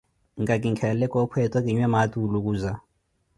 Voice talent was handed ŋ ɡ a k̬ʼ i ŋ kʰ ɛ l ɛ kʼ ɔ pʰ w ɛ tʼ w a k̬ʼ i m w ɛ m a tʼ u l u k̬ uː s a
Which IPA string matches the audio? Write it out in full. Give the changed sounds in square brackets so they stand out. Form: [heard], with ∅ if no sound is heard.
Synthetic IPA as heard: ŋ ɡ a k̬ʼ i ŋ kʰ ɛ l ɛ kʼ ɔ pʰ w ɛ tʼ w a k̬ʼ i [ɲ] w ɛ m a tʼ u l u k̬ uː [z] a